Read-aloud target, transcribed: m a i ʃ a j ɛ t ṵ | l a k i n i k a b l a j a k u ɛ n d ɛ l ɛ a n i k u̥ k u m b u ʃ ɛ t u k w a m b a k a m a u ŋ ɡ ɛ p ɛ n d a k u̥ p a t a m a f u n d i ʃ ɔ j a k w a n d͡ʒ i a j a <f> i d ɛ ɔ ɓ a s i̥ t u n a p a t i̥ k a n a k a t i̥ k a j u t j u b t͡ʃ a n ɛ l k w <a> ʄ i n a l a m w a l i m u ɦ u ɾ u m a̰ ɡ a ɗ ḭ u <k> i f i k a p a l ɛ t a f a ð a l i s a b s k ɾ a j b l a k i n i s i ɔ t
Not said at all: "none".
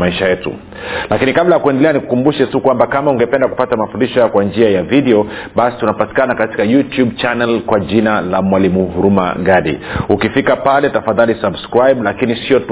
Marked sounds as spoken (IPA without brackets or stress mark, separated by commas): v, a, k